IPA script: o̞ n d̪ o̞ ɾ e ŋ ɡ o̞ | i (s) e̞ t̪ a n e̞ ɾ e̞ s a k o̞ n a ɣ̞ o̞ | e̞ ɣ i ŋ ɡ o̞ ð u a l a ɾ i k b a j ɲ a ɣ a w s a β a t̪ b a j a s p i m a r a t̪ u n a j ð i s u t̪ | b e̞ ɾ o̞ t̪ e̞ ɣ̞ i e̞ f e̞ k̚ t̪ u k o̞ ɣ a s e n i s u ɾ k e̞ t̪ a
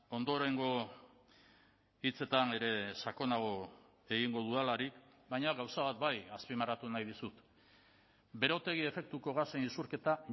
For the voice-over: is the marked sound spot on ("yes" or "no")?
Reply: no